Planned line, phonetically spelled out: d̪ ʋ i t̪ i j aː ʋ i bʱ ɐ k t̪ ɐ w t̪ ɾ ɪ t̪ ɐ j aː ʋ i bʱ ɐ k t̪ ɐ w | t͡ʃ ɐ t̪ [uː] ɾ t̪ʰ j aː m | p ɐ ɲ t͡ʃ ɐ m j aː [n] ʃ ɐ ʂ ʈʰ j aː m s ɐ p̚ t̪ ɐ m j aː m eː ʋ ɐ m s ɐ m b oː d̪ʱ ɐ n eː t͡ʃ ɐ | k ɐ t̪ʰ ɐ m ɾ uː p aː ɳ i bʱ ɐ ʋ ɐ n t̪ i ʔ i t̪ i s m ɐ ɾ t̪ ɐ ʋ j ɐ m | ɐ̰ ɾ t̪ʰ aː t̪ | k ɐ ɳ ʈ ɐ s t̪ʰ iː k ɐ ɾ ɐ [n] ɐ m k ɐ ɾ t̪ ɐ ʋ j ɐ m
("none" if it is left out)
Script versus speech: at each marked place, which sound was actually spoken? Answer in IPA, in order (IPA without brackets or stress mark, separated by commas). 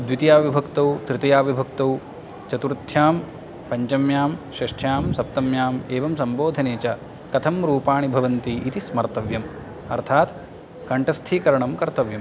u, m, ɳ